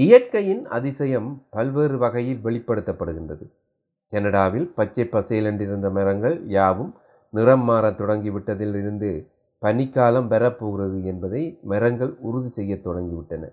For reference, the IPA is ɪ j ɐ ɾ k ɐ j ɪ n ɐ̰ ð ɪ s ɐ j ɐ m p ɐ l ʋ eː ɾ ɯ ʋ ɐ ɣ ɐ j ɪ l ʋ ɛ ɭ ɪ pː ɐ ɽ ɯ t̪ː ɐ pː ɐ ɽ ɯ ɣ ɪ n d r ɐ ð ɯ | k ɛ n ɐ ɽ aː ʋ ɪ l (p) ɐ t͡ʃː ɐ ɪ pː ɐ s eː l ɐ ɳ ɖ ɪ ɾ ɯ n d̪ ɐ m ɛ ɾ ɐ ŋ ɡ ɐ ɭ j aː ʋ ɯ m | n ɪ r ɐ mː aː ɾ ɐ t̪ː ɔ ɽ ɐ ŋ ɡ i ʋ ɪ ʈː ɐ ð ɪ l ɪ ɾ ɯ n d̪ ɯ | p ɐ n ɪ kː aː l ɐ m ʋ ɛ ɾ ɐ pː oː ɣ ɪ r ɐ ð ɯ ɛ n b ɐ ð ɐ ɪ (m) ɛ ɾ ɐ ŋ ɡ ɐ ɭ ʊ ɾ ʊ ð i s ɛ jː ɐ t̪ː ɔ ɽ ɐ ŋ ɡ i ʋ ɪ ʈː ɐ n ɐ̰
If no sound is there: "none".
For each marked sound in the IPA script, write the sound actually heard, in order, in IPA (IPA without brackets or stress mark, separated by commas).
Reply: p, m